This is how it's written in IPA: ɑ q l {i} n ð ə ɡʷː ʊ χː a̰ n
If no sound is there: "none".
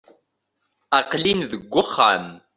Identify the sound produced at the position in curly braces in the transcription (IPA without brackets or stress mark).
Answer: i